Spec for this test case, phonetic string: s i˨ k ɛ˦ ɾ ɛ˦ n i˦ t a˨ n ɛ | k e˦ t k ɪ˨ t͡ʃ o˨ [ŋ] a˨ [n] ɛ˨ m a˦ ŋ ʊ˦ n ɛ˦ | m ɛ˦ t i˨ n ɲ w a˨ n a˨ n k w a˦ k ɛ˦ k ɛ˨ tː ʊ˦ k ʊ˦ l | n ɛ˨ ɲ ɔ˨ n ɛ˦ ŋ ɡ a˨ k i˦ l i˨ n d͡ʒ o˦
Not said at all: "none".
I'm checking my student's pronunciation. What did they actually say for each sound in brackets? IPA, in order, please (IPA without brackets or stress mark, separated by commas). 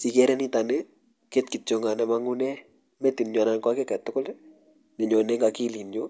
ŋ, n